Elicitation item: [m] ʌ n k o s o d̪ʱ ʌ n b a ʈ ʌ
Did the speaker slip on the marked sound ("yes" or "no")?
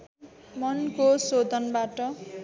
no